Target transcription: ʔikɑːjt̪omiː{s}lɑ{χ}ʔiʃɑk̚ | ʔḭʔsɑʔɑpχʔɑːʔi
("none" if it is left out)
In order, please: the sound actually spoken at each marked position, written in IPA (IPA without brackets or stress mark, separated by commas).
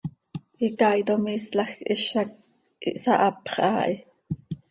s, x